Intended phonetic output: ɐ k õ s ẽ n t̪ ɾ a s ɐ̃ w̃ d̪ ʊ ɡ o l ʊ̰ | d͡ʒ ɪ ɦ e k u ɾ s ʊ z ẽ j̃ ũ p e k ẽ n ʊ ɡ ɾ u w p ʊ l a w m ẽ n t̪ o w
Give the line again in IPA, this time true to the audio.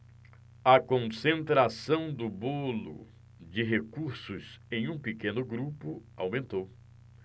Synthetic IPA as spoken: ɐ k õ s ẽ n t̪ ɾ a s ɐ̃ w̃ d̪ ʊ b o l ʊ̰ | d͡ʒ ɪ ɦ e k u ɾ s ʊ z ẽ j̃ ũ p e k ẽ n ʊ ɡ ɾ u p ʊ a w m ẽ n t̪ o w